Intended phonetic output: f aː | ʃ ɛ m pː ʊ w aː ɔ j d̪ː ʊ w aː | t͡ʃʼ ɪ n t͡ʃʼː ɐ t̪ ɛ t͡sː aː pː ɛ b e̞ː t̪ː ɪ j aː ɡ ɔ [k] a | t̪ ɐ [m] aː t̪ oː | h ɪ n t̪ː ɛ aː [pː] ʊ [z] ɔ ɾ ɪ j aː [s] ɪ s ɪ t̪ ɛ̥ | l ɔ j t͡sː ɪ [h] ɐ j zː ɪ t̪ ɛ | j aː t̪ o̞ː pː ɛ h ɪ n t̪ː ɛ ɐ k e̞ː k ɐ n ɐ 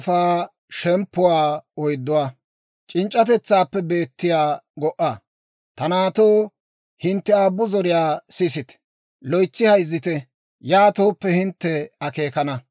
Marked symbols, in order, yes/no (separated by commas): no, no, no, yes, yes, yes